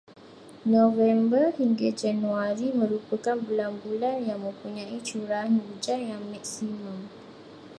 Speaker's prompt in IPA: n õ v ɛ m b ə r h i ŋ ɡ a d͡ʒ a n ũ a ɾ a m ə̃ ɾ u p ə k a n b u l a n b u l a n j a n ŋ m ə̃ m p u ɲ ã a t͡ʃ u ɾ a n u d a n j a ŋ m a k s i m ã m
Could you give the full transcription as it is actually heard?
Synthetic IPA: n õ v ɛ m b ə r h i ŋ ɡ a d͡ʒ a n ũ a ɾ i m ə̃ ɾ u p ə k a n b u l a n b u l a n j a ŋ m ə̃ m p u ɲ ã i t͡ʃ u ɾ a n u d͡ʒ a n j a ŋ m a k s i m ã m